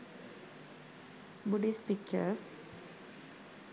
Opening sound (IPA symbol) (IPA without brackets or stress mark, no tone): b